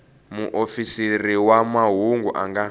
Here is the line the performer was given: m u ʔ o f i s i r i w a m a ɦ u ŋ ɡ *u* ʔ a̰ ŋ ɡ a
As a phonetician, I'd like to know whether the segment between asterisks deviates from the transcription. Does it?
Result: no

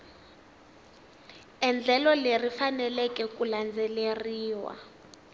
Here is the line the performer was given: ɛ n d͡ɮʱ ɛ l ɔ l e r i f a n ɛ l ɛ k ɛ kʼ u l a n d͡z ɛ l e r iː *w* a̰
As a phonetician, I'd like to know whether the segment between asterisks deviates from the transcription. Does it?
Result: no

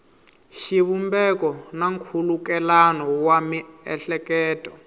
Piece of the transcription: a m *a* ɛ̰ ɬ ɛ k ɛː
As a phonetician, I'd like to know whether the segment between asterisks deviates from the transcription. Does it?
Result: yes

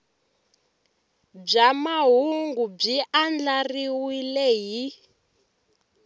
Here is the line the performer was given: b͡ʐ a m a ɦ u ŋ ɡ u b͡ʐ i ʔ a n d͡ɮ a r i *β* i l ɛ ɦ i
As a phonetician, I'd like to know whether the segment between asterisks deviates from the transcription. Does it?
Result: yes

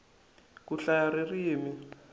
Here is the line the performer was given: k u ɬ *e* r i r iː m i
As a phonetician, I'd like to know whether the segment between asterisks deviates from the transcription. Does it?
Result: yes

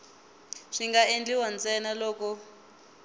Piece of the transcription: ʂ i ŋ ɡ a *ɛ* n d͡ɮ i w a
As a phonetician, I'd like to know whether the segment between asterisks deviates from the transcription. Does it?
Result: yes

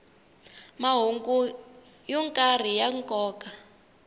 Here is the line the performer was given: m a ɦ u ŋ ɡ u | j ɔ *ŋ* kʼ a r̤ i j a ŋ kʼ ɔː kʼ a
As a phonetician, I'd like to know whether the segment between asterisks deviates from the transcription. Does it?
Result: no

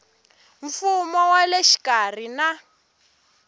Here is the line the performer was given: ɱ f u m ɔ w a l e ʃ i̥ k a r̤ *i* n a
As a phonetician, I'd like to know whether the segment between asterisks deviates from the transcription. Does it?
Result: no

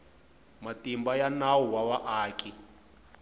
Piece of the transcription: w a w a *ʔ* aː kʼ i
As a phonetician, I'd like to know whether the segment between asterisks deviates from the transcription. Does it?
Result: no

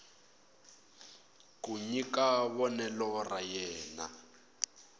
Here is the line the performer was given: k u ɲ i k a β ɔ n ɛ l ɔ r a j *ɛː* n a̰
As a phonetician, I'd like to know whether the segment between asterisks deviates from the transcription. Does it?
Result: no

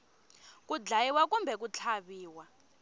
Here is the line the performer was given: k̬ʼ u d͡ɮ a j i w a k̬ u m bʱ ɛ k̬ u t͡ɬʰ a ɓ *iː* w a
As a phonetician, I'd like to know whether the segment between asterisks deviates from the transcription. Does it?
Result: no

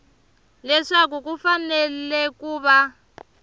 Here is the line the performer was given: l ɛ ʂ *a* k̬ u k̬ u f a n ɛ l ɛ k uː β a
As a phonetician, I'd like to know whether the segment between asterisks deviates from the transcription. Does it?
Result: no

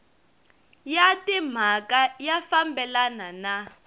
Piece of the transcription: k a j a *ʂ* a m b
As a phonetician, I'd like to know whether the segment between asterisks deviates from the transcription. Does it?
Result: yes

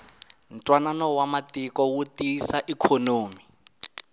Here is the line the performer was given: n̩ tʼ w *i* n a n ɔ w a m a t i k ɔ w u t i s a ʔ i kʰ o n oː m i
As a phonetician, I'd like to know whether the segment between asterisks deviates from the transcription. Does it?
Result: yes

